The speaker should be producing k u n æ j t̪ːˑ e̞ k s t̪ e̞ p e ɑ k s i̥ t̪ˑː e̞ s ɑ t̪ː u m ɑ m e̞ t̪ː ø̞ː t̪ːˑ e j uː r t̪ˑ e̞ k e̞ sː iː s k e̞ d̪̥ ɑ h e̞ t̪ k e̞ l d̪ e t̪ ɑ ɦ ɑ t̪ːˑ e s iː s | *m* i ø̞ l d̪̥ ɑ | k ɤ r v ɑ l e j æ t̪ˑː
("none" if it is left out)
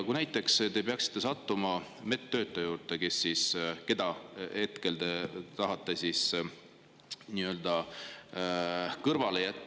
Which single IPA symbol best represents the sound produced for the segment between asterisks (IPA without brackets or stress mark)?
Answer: n